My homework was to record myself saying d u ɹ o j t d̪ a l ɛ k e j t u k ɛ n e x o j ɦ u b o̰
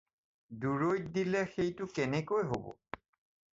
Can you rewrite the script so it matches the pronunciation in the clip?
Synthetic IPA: d u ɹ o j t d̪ i l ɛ x e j t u k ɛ n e k o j ɦ o b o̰